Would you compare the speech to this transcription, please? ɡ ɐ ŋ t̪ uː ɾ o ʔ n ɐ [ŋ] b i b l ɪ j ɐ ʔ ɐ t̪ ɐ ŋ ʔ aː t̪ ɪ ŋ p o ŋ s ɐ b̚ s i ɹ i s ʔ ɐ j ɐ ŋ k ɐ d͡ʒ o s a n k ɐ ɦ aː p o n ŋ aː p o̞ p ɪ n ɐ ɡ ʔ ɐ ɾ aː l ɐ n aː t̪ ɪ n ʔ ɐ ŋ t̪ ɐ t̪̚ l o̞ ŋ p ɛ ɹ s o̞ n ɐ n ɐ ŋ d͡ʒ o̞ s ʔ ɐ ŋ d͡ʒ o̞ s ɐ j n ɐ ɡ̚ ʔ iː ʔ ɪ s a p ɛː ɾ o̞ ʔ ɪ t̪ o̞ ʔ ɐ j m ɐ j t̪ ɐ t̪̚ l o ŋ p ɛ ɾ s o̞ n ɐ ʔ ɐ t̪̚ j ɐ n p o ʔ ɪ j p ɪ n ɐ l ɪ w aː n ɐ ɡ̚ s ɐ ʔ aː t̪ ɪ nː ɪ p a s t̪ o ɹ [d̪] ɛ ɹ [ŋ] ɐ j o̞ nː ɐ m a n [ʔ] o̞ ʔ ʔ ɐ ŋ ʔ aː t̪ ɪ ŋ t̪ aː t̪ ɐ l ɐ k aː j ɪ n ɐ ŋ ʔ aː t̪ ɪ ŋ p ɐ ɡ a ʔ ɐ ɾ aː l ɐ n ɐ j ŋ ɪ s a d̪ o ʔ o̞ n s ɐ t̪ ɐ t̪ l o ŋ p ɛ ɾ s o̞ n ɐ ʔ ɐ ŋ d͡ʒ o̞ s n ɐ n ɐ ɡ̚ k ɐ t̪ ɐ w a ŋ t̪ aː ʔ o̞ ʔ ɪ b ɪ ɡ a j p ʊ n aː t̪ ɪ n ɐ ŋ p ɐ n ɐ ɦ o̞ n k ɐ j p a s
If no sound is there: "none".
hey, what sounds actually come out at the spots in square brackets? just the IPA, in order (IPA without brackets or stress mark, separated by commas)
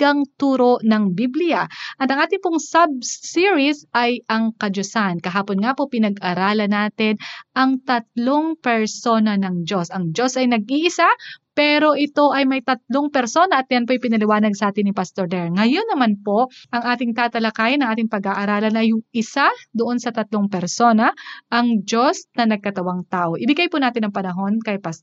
ŋ, d̪, ŋ, p